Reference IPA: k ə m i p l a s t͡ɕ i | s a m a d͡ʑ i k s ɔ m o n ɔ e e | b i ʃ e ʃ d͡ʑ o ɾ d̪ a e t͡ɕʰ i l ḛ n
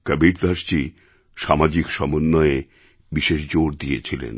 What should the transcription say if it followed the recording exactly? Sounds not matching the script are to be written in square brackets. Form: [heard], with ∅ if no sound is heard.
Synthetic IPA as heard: k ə [b] i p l a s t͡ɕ i | [ʃ] a m a d͡ʑ i k [ʃ] ɔ m o [nː] ɔ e e | b i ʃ e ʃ d͡ʑ o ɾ d̪ [i] e t͡ɕʰ i l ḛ n